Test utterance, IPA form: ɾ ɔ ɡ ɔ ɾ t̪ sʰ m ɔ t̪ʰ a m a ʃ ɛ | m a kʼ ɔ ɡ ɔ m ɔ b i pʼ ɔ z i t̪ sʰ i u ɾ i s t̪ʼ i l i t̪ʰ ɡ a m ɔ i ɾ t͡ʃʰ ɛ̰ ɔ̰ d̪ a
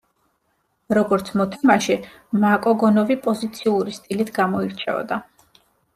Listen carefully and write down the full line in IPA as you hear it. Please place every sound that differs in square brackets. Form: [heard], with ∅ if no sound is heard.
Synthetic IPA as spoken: ɾ ɔ ɡ ɔ ɾ t̪ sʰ m ɔ t̪ʰ a m a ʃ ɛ | m a kʼ ɔ ɡ ɔ [n] ɔ [v] i pʼ ɔ z i t̪ sʰ i u ɾ i s t̪ʼ i l i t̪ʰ ɡ a m ɔ i ɾ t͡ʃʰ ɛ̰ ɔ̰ d̪ a